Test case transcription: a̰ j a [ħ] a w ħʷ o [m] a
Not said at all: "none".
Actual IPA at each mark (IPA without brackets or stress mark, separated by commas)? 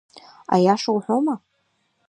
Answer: ʂ, m